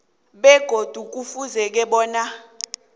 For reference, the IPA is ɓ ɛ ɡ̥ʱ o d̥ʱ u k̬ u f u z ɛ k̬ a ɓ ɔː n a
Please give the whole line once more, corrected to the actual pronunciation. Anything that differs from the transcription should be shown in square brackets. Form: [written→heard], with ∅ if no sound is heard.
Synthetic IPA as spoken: ɓ ɛ ɡ̥ʱ o d̥ʱ u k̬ u f u z ɛ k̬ [a→ɛ] ɓ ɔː n a